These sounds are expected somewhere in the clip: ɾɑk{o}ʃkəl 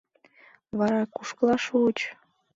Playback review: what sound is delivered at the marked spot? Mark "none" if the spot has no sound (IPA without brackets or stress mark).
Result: u